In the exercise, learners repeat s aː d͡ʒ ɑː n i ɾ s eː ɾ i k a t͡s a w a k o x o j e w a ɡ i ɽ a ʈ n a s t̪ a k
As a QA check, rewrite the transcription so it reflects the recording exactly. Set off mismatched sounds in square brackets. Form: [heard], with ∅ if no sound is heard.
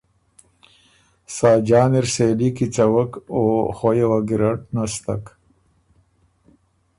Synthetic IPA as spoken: s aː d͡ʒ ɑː n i ɾ s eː [l] i k [i] t͡s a w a k o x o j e w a ɡ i [ɾ] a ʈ n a s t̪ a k